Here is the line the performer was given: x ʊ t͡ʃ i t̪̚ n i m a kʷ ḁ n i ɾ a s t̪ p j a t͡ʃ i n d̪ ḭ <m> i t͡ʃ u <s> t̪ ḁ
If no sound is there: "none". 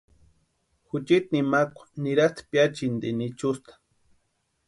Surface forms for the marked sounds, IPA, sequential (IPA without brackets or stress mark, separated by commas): n, s